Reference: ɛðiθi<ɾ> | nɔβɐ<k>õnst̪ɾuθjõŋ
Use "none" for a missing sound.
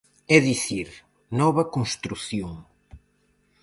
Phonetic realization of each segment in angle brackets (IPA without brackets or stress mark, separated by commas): ɾ, k